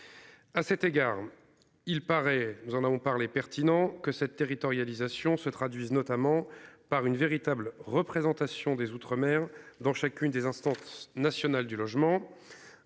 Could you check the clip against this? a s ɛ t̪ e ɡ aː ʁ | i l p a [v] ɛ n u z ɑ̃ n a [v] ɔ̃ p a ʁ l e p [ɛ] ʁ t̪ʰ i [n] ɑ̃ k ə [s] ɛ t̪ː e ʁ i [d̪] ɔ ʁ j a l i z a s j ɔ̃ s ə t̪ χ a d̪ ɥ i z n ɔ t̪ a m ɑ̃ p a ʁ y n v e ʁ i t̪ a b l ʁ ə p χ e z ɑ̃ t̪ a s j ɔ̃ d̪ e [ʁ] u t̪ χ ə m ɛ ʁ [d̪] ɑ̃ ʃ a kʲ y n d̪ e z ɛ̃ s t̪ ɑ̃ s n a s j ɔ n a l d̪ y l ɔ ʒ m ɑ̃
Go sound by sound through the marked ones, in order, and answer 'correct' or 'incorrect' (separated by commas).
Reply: incorrect, correct, correct, correct, correct, incorrect, incorrect, correct